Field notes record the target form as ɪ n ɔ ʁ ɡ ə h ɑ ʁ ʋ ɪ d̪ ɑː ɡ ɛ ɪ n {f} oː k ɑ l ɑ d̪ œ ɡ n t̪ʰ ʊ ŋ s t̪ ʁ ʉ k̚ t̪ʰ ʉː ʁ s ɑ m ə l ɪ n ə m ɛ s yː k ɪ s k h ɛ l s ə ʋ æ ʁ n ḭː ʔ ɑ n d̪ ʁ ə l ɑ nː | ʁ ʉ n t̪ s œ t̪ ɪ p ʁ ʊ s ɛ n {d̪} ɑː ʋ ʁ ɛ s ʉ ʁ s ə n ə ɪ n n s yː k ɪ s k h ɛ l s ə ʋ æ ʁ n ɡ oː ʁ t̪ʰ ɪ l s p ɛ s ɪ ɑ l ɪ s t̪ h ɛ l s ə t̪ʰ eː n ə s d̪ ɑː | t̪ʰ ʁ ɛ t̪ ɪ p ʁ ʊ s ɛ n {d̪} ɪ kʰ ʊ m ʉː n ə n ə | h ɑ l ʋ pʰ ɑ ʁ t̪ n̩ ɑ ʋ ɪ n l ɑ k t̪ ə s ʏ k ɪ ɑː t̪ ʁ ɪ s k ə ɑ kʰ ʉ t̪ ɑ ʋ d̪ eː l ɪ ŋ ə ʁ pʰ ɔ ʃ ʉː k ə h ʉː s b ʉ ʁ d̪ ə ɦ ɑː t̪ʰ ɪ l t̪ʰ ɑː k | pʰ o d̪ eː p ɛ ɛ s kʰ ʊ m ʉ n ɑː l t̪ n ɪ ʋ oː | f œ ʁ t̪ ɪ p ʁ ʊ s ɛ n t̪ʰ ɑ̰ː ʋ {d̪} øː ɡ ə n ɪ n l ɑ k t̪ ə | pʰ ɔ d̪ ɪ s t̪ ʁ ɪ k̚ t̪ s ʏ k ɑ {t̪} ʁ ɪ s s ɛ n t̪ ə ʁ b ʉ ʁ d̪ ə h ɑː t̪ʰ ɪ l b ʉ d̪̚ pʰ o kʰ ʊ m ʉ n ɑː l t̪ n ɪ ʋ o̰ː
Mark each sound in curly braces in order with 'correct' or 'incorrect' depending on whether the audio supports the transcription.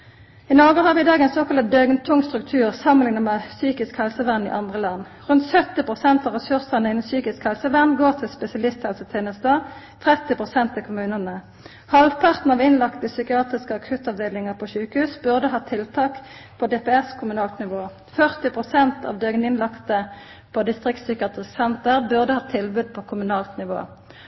incorrect, incorrect, incorrect, correct, correct

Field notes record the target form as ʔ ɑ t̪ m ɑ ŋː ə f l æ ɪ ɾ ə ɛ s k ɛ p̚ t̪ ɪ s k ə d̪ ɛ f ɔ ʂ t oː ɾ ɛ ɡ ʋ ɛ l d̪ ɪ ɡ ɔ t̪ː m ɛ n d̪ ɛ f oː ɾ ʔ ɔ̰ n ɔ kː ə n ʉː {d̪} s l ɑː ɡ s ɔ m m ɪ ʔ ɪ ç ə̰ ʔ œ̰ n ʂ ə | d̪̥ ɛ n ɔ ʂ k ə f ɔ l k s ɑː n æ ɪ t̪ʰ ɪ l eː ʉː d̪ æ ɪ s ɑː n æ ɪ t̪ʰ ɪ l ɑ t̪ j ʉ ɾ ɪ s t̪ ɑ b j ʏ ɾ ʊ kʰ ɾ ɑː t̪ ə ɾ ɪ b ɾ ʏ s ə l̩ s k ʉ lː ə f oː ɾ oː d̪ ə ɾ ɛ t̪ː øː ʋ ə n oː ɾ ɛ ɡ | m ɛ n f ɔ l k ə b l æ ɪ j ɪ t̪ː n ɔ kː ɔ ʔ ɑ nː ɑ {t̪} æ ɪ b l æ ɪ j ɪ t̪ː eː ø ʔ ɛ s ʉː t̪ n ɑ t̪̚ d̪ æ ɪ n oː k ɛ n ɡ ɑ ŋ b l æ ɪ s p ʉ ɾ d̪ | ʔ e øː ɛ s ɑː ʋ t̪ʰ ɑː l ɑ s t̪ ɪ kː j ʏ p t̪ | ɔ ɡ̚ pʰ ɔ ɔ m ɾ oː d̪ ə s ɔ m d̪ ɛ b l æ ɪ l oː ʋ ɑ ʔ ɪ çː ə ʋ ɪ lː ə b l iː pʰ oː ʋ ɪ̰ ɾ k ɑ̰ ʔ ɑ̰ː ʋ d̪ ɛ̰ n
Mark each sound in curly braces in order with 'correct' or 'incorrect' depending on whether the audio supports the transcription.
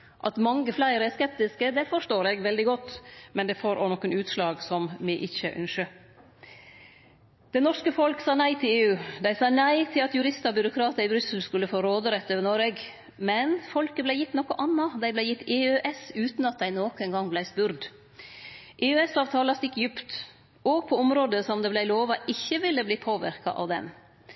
incorrect, incorrect

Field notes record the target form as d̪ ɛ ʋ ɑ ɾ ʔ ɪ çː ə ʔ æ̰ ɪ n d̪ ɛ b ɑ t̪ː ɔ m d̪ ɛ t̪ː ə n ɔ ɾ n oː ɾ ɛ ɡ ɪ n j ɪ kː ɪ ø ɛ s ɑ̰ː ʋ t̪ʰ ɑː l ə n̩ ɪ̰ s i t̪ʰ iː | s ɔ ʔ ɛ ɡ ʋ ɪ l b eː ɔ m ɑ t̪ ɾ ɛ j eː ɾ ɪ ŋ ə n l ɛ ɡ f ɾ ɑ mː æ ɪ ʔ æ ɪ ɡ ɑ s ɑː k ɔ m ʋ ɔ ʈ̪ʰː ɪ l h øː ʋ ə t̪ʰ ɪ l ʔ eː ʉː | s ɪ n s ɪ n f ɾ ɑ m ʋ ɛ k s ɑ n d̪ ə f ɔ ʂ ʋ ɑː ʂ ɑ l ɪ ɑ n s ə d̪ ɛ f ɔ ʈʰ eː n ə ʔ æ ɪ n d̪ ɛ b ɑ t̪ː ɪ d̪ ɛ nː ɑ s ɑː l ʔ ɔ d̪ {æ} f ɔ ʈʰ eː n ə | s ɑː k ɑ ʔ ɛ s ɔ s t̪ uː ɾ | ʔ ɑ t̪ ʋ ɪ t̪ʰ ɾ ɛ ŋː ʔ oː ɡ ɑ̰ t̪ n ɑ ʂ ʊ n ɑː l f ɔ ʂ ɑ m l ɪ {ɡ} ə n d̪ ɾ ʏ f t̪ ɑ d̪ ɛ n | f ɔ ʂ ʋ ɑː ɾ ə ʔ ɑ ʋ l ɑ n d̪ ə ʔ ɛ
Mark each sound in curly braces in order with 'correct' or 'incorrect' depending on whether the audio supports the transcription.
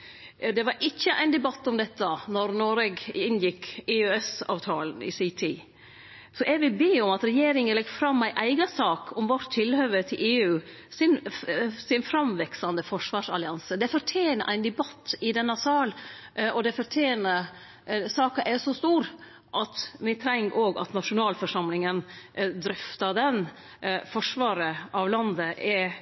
incorrect, incorrect

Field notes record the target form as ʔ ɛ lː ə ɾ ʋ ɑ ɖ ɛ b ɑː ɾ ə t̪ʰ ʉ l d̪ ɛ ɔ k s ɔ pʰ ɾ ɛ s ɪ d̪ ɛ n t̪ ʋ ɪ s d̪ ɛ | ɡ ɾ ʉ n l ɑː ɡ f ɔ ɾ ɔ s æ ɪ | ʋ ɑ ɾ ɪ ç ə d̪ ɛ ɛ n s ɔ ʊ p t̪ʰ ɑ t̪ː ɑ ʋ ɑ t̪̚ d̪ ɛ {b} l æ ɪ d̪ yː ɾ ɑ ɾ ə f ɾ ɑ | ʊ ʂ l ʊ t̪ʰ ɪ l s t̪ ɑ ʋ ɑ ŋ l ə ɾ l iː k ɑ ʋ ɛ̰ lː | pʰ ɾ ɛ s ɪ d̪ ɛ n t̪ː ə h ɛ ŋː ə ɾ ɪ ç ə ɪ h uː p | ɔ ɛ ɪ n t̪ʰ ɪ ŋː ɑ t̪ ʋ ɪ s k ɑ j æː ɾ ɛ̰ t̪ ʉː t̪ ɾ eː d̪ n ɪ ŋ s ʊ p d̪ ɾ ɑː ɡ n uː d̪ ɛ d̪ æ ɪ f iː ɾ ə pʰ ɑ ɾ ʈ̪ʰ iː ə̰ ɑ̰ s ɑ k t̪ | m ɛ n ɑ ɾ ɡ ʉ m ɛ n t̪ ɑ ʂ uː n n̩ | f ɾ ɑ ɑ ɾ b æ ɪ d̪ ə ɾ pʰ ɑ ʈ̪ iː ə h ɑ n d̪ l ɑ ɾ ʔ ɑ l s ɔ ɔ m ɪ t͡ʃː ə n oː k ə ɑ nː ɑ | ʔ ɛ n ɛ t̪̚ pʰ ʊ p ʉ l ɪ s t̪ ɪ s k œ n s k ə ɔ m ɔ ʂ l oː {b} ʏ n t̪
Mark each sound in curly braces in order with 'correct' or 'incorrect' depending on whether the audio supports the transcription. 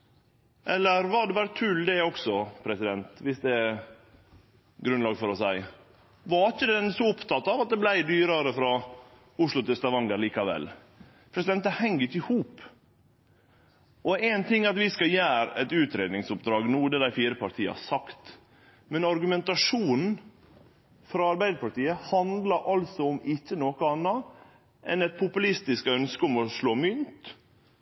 correct, incorrect

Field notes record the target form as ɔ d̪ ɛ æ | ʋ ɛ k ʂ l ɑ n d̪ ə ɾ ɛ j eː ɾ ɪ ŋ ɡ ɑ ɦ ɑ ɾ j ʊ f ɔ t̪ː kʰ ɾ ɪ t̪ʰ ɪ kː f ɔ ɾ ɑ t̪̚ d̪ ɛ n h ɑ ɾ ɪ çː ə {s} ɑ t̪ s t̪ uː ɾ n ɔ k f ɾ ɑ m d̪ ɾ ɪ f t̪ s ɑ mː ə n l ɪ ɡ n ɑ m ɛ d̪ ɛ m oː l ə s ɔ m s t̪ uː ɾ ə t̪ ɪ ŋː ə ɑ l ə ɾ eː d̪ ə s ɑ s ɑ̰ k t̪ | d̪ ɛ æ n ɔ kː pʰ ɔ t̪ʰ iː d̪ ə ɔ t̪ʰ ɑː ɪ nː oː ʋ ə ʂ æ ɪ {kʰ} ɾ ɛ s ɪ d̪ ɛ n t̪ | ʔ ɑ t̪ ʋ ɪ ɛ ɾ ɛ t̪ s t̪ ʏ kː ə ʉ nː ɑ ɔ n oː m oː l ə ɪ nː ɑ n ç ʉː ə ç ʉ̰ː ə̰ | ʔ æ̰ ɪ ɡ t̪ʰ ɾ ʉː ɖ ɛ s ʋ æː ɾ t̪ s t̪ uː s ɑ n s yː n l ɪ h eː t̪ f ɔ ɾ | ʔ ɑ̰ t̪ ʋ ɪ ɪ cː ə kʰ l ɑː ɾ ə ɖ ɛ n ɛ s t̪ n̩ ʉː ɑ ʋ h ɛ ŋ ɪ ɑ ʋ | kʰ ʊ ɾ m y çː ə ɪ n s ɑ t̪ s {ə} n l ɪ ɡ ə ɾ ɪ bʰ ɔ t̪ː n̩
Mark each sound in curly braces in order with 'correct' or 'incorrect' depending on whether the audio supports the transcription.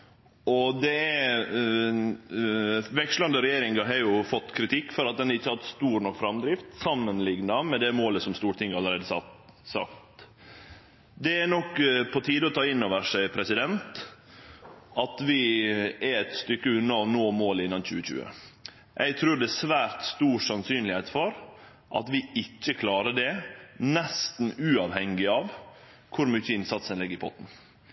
incorrect, incorrect, correct

